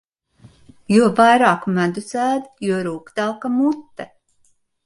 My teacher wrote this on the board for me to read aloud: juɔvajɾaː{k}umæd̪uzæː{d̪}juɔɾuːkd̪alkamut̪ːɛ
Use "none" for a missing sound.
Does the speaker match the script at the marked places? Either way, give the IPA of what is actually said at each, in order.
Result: k, d̪

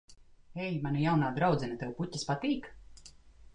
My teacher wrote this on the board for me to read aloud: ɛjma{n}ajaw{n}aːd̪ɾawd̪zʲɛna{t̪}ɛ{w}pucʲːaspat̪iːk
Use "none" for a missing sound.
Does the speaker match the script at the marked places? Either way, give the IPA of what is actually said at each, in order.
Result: n, n, t̪, w

